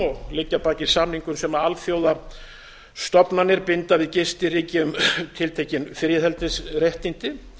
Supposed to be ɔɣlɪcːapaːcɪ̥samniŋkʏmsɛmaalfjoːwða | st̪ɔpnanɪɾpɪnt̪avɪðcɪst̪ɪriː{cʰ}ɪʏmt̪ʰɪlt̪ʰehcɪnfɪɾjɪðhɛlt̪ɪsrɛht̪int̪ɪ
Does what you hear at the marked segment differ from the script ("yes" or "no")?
yes